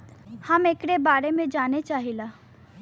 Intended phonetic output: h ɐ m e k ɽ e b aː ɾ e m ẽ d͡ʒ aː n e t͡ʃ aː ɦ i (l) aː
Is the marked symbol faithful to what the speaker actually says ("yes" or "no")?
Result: yes